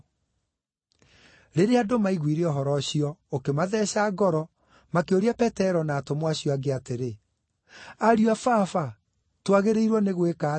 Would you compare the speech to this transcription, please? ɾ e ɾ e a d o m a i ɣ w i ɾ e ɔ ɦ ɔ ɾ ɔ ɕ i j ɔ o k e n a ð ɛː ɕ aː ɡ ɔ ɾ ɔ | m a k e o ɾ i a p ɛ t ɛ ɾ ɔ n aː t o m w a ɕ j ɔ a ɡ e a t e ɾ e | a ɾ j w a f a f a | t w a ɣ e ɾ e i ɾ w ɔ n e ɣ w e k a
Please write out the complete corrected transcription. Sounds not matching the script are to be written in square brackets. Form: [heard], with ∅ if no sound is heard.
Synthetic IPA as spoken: ɾ e ɾ e a d o m a i ɣ w i ɾ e ɔ ɦ ɔ ɾ ɔ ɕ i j ɔ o k e [m] a ð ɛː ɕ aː ɡ ɔ ɾ ɔ | m a k e o ɾ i a p ɛ t ɛ ɾ ɔ n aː t o m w a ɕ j ɔ a ɡ e a t e ɾ e | a ɾ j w a f a f a | t w a ɣ e ɾ e i ɾ w ɔ n e ɣ w e k a